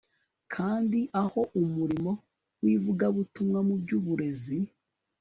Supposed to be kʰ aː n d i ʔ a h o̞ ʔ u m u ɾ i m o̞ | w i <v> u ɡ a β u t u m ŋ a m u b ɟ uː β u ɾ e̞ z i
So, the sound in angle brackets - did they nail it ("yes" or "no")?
yes